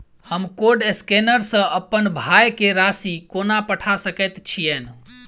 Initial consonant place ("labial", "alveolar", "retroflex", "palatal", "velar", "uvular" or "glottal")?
glottal